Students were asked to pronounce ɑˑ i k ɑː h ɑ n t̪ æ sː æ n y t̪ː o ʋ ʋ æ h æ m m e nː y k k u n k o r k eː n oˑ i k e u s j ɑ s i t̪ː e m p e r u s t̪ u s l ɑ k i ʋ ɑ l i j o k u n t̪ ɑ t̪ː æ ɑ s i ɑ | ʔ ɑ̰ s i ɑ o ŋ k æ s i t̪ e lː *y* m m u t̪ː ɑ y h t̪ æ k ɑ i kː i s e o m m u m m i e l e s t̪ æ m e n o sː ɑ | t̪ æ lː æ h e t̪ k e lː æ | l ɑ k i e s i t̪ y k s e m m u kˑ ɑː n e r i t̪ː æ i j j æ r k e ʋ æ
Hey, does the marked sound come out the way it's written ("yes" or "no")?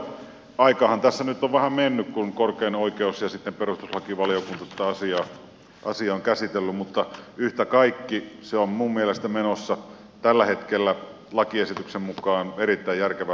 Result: yes